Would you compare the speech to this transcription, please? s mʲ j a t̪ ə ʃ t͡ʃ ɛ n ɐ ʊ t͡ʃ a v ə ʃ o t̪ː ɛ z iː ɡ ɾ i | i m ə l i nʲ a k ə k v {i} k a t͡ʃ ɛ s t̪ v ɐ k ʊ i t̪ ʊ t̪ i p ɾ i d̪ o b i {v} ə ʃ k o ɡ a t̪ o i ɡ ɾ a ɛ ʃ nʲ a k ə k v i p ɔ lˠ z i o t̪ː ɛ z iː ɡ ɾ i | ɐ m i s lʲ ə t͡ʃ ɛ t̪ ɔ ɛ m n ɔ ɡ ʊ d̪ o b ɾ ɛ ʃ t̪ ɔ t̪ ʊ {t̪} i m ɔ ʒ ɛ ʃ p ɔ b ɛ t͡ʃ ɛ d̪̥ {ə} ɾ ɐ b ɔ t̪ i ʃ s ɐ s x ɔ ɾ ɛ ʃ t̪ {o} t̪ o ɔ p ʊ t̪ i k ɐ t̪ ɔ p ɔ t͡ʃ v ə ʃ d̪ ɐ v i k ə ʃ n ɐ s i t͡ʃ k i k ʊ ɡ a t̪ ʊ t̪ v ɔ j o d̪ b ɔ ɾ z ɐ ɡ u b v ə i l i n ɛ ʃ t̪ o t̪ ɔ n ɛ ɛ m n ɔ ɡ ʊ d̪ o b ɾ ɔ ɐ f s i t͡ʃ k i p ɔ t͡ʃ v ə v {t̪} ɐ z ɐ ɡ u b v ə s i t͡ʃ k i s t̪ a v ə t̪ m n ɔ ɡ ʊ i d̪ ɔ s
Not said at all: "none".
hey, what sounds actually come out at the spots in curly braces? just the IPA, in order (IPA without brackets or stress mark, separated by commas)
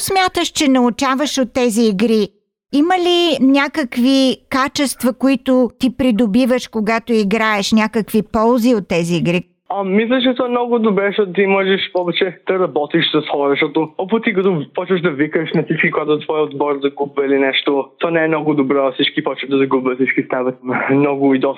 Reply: i, v, t̪, ɐ, ɔ, d̪